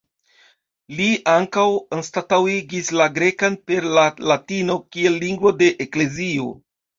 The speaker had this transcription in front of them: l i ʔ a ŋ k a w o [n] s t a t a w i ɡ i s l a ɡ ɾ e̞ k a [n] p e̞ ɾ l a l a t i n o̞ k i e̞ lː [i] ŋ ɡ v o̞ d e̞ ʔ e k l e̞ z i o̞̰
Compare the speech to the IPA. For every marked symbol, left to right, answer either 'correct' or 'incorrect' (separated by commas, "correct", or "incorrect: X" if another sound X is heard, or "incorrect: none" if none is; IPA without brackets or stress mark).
correct, correct, correct